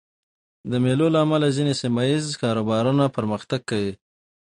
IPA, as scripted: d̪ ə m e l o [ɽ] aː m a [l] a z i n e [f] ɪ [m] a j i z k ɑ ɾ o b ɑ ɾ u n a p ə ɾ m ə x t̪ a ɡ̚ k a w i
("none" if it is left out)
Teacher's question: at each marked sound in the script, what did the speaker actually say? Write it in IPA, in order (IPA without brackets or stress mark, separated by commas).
l, l, s, m